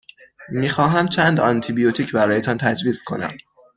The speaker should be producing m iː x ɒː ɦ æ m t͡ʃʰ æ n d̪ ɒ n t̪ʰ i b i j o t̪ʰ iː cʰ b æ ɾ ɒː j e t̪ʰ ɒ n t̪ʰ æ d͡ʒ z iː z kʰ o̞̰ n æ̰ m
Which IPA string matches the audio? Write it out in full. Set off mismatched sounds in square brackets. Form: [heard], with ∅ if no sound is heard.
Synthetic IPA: m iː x ɒː ɦ æ m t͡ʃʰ æ n d̪ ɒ n t̪ʰ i b i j o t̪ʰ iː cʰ b æ ɾ ɒː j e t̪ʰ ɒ n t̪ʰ æ d͡ʒ [v] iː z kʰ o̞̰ n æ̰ m